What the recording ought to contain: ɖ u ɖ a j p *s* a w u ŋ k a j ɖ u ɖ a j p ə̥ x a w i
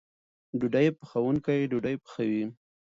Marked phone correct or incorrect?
incorrect